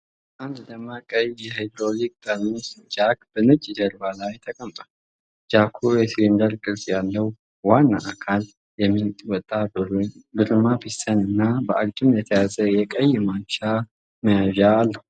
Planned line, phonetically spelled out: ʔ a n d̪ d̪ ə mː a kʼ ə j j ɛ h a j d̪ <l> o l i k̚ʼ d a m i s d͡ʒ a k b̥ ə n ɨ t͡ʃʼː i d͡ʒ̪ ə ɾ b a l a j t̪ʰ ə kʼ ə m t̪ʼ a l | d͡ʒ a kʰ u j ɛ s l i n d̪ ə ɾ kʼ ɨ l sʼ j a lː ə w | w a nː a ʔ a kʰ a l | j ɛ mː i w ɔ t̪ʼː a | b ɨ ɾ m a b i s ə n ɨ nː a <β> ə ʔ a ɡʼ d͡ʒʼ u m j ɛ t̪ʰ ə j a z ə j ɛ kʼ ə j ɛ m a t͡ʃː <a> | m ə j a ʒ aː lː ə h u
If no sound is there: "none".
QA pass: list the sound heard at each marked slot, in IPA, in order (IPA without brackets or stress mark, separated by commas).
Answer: ɾ, b, a